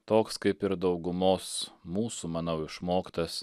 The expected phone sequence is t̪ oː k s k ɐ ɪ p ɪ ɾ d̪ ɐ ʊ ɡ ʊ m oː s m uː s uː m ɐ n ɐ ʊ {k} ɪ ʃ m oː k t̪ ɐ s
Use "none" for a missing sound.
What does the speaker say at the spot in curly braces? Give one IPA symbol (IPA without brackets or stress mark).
none